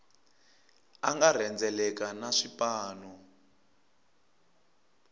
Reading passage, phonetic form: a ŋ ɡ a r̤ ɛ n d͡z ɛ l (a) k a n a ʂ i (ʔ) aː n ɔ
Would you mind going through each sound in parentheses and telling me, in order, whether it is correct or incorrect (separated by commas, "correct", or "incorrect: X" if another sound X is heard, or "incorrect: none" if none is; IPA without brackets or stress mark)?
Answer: incorrect: ɛ, incorrect: p